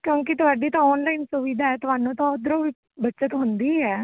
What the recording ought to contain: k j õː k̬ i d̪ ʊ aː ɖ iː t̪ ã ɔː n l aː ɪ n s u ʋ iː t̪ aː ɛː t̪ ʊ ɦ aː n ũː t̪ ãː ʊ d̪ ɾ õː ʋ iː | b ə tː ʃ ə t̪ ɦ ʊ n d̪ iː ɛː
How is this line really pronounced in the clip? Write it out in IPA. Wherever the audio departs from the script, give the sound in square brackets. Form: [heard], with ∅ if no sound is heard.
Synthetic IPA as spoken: k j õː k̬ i [t̪] ʊ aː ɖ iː t̪ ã ɔː n l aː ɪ n s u ʋ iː [d̪] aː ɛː t̪ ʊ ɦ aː n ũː t̪ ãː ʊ d̪ ɾ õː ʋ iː | b ə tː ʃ ə t̪ ɦ ʊ n d̪ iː ɛː